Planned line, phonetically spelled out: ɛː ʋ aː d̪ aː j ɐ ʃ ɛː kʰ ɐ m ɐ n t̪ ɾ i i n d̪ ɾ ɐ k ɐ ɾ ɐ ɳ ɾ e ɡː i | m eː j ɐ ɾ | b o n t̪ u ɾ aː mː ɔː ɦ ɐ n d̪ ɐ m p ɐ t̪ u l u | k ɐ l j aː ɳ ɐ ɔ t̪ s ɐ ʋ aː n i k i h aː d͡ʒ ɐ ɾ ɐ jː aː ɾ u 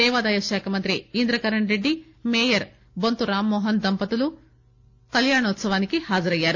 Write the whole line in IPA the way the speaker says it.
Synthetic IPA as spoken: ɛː ʋ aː d̪ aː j ɐ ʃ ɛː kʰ ɐ m ɐ n t̪ ɾ i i n d̪ ɾ ɐ k ɐ ɾ ɐ ɳ ɾ e ɖː i | m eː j ɐ ɾ | b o n t̪ u ɾ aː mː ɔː ɦ ɐ n d̪ ɐ m p ɐ t̪ u l u | k ɐ l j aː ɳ ɐ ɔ t̪ s ɐ ʋ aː n i k i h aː d͡ʒ ɐ ɾ ɐ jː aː ɾ u

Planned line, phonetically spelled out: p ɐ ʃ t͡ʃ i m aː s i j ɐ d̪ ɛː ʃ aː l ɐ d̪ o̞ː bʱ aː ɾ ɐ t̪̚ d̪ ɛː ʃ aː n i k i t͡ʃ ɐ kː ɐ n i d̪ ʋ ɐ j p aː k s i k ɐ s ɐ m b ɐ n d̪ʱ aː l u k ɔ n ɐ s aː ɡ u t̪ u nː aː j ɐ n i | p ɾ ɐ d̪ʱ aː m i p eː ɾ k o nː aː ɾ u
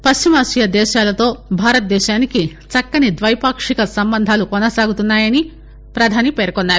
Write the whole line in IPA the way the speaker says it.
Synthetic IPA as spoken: p ɐ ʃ t͡ʃ i m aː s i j ɐ d̪ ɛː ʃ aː l ɐ t̪ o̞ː bʱ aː ɾ ɐ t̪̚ d̪ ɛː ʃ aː n i k i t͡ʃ ɐ kː ɐ n i d̪ ʋ ɐ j p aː k ʂ i k ɐ s ɐ m b ɐ n d̪ʱ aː l u k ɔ n ɐ s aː ɡ u t̪ u nː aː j ɐ n i | p ɾ ɐ d̪ʱ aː n i p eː ɾ k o nː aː ɾ u

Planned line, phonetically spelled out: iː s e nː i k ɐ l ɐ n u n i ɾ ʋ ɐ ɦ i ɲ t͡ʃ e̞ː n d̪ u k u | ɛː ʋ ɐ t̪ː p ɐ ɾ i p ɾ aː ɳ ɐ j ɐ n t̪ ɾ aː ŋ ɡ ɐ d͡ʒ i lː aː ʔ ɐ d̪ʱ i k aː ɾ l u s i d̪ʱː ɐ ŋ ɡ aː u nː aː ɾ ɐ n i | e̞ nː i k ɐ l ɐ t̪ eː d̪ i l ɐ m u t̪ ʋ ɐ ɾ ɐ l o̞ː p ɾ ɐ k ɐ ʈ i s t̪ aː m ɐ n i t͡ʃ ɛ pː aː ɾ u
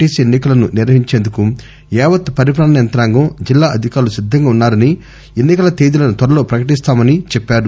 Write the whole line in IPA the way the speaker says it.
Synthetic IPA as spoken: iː s e nː i k ɐ l ɐ n u n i ɾ ʋ ɐ ɦ i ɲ t͡ʃ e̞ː n d̪ u k u | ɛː ʋ ɐ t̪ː p ɐ ɾ i p ɾ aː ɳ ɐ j ɐ n t̪ ɾ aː ŋ ɡ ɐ d͡ʒ i lː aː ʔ ɐ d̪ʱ i k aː ɾ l u s i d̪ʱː ɐ ŋ ɡ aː u nː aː ɾ ɐ n i | e̞ nː i k ɐ l ɐ t̪ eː d̪ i l ɐ n u t̪ ʋ ɐ ɾ ɐ l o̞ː p ɾ ɐ k ɐ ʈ i s t̪ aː m ɐ n i t͡ʃ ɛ pː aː ɾ u

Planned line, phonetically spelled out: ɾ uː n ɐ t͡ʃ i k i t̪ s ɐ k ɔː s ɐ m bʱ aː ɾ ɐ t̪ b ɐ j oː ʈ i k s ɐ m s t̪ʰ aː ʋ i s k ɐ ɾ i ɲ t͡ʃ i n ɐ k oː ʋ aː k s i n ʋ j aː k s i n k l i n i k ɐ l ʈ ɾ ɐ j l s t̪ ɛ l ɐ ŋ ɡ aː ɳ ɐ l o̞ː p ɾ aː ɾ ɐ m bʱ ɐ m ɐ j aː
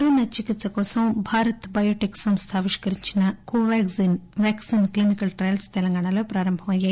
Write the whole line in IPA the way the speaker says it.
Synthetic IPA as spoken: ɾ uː n ɐ t͡ʃ i k i t̪ s ɐ k ɔː s ɐ m bʱ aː ɾ ɐ t̪ b ɐ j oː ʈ i k s ɐ m s t̪ʰ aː ʋ i ʂ k ɐ ɾ i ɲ t͡ʃ i n ɐ k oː ʋ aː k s i n ʋ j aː k s i n k l i n i k ɐ l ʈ ɾ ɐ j l s t̪ ɛ l ɐ ŋ ɡ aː ɳ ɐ l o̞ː p ɾ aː ɾ ɐ m bʱ ɐ m ɐ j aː

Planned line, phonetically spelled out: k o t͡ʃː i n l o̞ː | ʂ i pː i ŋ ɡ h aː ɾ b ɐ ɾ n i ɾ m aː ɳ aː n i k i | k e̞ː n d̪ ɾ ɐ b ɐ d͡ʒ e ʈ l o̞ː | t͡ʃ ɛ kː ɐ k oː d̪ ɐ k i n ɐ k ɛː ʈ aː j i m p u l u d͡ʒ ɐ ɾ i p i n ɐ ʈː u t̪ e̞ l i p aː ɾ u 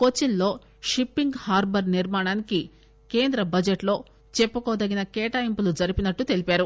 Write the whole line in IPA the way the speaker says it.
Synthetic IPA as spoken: k o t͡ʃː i n l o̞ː | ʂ i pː i ŋ ɡ h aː ɾ b ɐ ɾ n i ɾ m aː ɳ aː n i k i | k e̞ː n d̪ ɾ ɐ b ɐ d͡ʒ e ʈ l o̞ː | t͡ʃ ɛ pː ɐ k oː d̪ ɐ ɡ i n ɐ k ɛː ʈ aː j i m p u l u d͡ʒ ɐ ɾ i p i n ɐ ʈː u t̪ e̞ l i p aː ɾ u

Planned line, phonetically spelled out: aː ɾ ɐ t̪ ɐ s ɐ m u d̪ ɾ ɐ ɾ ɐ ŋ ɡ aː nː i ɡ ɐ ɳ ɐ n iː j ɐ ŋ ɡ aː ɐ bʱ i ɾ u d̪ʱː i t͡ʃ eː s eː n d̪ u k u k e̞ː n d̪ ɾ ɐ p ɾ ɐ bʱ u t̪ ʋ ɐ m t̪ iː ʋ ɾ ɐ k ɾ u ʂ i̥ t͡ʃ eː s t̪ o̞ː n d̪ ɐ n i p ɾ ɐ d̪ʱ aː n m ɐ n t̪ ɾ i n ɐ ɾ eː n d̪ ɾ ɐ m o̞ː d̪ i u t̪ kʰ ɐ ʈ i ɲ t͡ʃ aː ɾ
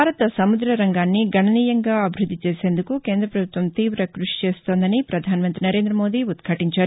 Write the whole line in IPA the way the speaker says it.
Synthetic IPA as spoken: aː ɾ ɐ t̪ ɐ s ɐ m u d̪ ɾ ɐ ɾ ɐ ŋ ɡ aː nː i ɡ ɐ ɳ ɐ n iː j ɐ ŋ ɡ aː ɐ bʱ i ɾ u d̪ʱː i t͡ʃ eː s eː n d̪ u k u k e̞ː n d̪ ɾ ɐ p ɾ ɐ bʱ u t̪ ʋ ɐ m t̪ iː ʋ ɾ ɐ k ɾ u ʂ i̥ t͡ʃ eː s t̪ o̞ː n d̪ ɐ n i p ɾ ɐ d̪ʱ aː n m ɐ n t̪ ɾ i n ɐ ɾ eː n d̪ ɾ ɐ m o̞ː d̪ i u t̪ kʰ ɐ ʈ i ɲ t͡ʃ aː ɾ

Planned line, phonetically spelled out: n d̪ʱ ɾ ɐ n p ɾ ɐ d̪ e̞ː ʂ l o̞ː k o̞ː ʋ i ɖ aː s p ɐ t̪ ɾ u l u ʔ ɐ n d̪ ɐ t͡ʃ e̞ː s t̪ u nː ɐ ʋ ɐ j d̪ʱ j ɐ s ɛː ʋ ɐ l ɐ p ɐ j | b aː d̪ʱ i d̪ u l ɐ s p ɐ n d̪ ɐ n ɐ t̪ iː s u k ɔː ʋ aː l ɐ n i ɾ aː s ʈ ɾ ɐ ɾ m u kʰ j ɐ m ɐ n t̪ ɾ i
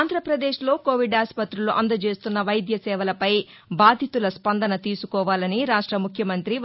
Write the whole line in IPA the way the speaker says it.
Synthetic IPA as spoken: n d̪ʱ ɾ ɐ p ɾ ɐ d̪ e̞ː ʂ l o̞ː k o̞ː ʋ i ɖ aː s p ɐ t̪ ɾ u l u ʔ ɐ n d̪ ɐ t͡ʃ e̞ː s t̪ u nː ɐ ʋ ɐ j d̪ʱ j ɐ s ɛː ʋ ɐ l ɐ p ɐ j | b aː d̪ʱ i t̪ u l ɐ s p ɐ n d̪ ɐ n ɐ t̪ iː s u k ɔː ʋ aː l ɐ n i ɾ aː ʂ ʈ ɾ ɐ m u kʰ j ɐ m ɐ n t̪ ɾ i

